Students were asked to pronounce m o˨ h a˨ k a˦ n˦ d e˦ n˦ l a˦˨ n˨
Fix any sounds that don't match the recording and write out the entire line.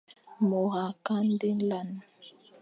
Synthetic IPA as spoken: m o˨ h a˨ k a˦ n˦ d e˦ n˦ l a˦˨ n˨